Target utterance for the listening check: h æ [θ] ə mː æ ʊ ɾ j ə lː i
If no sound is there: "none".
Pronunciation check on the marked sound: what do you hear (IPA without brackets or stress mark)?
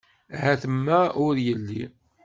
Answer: θ